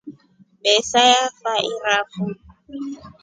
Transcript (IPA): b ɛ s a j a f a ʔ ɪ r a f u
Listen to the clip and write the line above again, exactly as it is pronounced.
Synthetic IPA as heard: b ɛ s a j a f a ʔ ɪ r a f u